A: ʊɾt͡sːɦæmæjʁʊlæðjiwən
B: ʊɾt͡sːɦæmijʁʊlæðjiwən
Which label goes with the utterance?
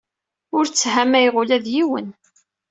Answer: A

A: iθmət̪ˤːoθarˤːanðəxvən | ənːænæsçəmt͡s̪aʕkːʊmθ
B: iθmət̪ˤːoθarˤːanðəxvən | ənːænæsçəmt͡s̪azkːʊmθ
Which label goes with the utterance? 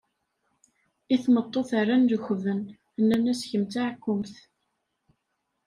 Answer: A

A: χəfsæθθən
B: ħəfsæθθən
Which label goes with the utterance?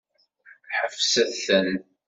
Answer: B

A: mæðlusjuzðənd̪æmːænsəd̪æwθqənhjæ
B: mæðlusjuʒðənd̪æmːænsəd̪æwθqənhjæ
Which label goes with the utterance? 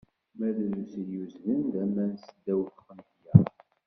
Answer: A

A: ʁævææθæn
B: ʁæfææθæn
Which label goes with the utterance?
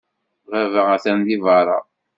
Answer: A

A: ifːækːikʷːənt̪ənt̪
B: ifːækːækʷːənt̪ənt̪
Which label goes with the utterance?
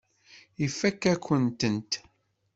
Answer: B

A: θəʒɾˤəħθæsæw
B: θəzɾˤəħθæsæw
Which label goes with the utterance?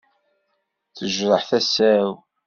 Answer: A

